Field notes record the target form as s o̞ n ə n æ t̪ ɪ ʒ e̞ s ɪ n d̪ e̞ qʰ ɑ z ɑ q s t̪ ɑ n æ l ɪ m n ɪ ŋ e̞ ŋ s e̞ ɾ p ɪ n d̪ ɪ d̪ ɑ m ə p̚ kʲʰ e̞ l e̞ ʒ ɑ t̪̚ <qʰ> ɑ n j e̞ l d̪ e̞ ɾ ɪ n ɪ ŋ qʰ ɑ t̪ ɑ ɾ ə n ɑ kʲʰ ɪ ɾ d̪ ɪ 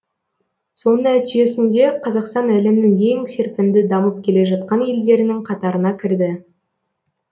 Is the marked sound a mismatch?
yes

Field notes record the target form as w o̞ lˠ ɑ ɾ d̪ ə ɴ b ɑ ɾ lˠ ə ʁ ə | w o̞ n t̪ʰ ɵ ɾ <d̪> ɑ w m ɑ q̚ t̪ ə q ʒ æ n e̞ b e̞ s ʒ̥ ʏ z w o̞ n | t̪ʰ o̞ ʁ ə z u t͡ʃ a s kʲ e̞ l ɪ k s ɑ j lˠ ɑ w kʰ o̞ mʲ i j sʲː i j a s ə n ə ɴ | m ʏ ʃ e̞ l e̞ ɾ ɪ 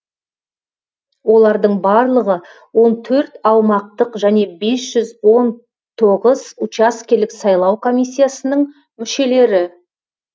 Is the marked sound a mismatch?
yes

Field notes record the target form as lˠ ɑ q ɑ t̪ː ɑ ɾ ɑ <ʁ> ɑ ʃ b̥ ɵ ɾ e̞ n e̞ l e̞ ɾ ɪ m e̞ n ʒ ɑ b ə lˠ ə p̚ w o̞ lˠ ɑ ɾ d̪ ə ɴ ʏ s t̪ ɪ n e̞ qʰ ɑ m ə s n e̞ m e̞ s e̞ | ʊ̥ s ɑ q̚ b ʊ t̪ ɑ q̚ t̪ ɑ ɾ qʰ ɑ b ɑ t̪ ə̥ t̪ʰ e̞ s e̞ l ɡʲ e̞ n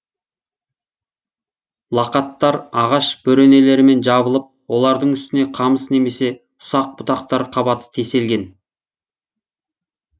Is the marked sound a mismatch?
no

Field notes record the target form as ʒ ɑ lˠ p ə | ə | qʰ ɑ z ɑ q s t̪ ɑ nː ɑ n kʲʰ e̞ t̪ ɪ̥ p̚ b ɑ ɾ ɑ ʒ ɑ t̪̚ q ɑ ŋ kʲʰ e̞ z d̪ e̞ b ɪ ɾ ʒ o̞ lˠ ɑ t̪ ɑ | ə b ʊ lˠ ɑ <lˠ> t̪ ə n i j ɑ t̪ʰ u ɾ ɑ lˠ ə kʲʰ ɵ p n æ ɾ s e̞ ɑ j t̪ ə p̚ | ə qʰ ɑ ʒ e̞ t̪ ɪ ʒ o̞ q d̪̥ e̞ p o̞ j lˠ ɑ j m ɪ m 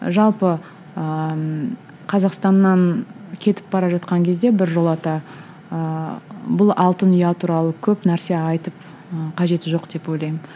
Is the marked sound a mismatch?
no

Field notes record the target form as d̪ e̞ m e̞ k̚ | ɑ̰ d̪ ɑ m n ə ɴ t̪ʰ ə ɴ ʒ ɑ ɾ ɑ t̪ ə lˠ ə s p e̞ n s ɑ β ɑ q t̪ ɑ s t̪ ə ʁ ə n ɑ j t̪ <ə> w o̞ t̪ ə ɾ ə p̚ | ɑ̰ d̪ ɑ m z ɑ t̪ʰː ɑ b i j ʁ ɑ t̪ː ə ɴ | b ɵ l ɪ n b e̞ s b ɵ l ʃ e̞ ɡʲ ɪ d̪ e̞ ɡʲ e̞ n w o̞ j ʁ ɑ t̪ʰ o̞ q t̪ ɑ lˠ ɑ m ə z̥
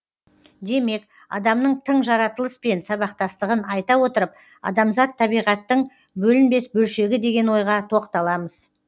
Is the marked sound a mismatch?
yes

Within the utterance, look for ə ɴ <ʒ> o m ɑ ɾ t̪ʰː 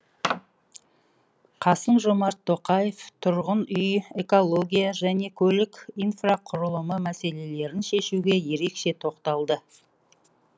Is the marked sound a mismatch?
no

